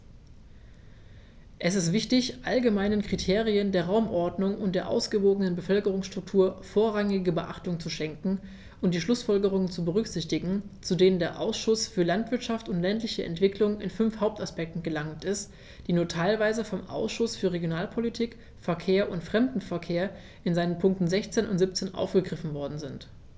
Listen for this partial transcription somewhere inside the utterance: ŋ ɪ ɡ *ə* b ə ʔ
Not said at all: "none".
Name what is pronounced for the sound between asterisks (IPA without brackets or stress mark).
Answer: ə